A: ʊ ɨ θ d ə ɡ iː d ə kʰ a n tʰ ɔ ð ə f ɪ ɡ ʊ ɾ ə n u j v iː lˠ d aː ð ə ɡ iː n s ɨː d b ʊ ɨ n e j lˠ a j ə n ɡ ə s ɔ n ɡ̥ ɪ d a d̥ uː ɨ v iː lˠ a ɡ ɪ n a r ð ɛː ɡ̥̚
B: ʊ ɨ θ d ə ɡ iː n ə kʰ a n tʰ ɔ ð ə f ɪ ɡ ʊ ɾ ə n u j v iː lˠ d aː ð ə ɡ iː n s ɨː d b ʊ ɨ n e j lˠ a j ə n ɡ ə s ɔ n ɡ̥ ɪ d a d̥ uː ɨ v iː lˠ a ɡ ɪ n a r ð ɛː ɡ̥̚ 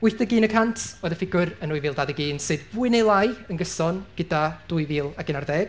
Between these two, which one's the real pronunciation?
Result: B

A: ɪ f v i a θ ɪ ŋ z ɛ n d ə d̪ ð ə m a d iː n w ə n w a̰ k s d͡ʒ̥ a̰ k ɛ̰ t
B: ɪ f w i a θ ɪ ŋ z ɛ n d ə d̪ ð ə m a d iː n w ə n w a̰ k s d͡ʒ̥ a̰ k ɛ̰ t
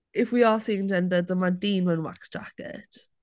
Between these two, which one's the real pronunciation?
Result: B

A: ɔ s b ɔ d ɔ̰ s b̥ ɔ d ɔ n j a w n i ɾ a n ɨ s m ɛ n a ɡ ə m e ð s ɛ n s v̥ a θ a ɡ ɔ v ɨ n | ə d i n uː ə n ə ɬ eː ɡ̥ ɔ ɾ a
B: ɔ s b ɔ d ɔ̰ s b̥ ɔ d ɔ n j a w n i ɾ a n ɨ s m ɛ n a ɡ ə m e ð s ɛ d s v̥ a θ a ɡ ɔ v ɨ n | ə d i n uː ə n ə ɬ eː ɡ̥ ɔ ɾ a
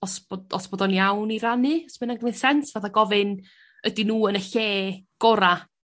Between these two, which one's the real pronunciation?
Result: A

